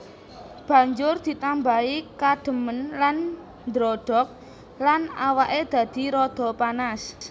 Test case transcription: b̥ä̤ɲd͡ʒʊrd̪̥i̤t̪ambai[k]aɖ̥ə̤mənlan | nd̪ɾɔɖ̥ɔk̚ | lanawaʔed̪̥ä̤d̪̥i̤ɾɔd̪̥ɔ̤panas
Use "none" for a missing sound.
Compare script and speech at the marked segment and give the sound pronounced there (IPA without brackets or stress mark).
k